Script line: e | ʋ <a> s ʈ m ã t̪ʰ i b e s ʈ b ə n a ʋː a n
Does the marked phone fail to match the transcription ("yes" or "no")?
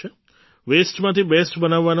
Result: yes